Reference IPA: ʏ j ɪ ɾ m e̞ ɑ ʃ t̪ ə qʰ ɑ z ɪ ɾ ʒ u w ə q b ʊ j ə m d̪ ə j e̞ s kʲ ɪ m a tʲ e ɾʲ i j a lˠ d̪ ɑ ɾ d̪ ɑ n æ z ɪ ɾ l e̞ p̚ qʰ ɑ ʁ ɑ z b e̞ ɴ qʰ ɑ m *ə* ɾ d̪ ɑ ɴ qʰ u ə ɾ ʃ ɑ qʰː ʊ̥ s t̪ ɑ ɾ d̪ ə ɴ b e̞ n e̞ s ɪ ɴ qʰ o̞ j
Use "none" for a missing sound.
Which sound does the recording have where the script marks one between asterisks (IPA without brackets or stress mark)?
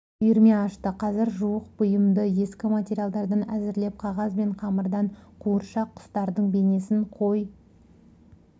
ə